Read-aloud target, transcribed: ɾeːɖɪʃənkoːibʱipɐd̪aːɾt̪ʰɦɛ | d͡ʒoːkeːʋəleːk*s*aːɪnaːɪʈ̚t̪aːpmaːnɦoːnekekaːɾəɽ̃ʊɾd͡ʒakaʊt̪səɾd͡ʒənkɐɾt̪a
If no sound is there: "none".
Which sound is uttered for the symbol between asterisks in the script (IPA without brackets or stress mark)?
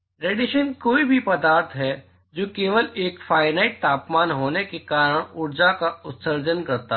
f